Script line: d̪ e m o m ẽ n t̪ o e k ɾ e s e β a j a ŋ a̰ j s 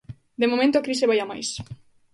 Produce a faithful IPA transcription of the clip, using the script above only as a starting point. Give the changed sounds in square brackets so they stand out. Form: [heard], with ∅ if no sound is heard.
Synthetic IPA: d̪ e m o m ẽ n t̪ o [a] k ɾ [i] s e β a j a [m] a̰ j s